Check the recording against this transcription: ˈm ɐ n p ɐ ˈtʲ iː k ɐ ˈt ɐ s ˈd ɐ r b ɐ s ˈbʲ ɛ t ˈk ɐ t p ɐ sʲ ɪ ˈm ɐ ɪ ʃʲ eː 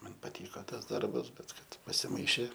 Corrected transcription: ˈm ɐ n p ɐ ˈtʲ iː k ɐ ˈt ɐ s ˈd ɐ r b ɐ s ˈbʲ ɛ t ˈk ɐ t p ɐ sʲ ɪ ˈm ɐ ɪ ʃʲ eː